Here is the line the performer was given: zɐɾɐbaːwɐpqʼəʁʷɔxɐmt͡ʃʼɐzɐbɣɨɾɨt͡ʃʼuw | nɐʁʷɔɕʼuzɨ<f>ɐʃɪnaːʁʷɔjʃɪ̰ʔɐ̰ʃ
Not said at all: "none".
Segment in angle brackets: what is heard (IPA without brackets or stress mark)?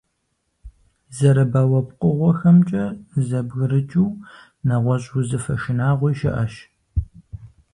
f